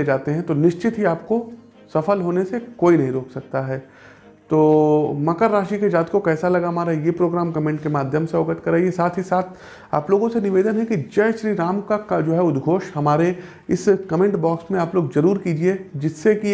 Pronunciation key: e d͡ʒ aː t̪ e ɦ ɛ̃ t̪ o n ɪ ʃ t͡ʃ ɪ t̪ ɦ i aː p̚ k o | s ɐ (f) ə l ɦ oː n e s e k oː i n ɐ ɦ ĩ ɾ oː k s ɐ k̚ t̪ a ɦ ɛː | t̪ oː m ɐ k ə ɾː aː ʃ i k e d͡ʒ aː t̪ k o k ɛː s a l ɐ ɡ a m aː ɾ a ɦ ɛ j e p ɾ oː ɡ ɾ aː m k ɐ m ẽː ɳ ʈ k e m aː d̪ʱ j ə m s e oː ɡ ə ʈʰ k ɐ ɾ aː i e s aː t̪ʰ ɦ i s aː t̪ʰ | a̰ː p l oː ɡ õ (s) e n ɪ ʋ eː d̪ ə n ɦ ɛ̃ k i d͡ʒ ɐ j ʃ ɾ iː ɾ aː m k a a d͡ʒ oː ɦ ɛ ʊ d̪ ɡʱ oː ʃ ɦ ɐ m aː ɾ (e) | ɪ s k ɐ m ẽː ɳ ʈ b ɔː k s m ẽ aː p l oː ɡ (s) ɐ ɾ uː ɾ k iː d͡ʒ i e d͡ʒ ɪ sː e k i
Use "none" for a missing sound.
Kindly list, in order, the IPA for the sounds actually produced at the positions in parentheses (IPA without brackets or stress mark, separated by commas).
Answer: f, s, e, z